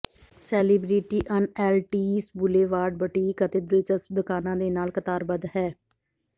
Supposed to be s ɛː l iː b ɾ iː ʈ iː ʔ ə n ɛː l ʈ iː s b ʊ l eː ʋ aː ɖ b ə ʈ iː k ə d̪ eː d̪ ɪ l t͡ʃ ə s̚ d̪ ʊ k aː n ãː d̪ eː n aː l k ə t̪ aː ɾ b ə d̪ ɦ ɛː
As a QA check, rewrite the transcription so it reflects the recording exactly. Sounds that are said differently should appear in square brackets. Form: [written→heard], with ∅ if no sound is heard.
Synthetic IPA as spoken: s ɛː l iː b ɾ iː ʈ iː ʔ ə n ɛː l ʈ iː s b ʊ l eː ʋ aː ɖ b ə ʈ iː k ə [d̪→t̪] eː d̪ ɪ l t͡ʃ ə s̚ d̪ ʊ k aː n ãː d̪ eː n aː l k ə t̪ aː ɾ b ə d̪ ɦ ɛː